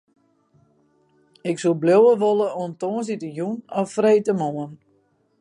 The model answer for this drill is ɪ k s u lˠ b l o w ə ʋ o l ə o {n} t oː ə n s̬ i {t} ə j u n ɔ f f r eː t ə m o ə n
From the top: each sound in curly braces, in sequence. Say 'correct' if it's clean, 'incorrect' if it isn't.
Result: correct, correct

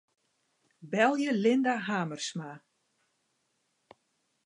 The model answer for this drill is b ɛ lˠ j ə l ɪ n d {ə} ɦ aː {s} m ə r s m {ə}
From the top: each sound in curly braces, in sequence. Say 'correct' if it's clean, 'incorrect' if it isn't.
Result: incorrect: a, incorrect: none, incorrect: a

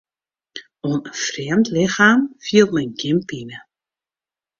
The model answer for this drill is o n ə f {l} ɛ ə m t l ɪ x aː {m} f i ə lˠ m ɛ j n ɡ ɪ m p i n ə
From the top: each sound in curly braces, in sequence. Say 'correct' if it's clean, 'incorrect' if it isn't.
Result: incorrect: r, correct

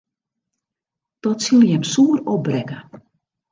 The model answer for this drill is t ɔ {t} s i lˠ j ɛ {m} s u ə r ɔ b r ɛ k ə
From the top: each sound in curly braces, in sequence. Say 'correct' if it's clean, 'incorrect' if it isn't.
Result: correct, correct

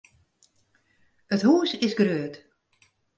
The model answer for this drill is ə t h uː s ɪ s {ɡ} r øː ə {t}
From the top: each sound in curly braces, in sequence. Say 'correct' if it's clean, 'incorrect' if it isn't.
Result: correct, correct

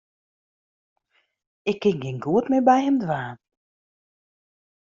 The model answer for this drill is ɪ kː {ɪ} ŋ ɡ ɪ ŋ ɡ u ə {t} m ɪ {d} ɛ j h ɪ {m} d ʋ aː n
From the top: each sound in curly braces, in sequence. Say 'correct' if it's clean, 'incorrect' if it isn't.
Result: correct, correct, incorrect: b, correct

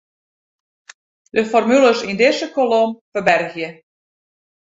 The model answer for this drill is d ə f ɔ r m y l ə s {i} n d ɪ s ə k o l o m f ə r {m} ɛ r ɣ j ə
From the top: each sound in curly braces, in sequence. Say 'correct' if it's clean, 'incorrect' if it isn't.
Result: correct, incorrect: b

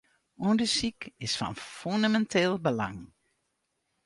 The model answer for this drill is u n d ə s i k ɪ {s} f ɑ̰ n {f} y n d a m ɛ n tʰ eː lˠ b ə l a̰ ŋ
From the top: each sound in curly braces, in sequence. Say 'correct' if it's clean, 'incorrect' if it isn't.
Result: correct, correct

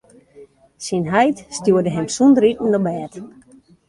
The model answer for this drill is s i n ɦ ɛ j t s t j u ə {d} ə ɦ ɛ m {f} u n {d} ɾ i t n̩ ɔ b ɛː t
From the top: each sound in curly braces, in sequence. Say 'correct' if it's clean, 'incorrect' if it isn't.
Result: correct, incorrect: s, correct

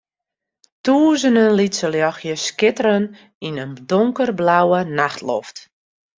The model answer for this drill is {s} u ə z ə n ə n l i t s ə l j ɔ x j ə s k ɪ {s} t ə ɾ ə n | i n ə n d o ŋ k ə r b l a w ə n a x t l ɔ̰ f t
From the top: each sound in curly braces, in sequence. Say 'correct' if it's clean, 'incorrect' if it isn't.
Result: incorrect: t, incorrect: none

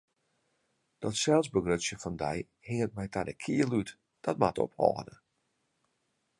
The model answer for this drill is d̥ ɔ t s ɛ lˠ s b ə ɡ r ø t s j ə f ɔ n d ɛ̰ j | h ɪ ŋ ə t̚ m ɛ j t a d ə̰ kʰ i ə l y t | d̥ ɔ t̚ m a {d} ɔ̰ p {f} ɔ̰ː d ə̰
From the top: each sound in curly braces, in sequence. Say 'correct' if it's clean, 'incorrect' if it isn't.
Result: incorrect: t, incorrect: h

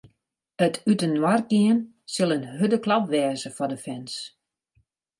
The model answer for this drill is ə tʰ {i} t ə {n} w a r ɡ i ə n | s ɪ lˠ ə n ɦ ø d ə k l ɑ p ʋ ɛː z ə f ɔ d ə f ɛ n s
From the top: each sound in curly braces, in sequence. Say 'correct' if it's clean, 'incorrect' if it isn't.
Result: incorrect: y, correct

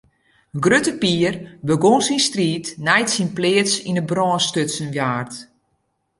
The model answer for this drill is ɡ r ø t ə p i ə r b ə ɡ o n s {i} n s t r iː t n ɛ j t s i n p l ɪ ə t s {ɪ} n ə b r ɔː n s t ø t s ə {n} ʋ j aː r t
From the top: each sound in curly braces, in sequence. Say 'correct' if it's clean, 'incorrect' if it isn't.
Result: correct, incorrect: i, correct

